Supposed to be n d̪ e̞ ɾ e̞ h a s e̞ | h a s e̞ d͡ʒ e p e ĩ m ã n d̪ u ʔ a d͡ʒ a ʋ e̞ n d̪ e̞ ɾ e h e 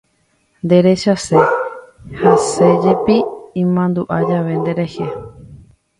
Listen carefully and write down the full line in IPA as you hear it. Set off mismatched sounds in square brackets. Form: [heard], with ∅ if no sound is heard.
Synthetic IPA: n d̪ e̞ ɾ e̞ [ʃ] a s e̞ | h a s e̞ d͡ʒ e p [i] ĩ m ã n d̪ u ʔ a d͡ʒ a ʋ e̞ n d̪ e̞ ɾ e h e